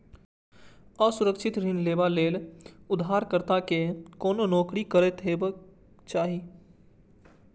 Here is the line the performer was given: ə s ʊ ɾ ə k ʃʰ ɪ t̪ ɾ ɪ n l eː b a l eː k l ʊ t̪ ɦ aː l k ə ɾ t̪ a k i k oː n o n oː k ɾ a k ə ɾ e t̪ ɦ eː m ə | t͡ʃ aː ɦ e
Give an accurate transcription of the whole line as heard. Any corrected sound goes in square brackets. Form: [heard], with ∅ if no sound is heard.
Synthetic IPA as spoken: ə s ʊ ɾ ə k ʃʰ ɪ t̪ ɾ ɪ n l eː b a l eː [∅] l ʊ [d̪] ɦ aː [ɾ] k ə ɾ t̪ a k [e] k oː n o n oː k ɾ [i] k ə ɾ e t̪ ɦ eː [b] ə | t͡ʃ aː ɦ [i]